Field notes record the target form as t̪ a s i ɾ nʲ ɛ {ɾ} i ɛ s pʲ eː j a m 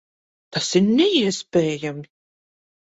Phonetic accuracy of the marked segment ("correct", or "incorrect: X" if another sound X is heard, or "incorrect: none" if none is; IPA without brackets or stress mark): incorrect: none